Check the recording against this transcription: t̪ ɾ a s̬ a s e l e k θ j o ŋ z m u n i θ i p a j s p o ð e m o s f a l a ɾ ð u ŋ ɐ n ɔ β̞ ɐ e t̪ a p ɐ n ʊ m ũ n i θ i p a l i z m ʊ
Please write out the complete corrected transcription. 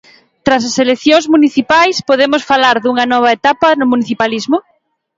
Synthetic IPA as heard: t̪ ɾ a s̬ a s e l e k θ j o ŋ z m u n i θ i p a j s p o ð e m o s f a l a ɾ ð u ŋ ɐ n ɔ β̞ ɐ e t̪ a p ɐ n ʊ m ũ n i θ i p a l i z m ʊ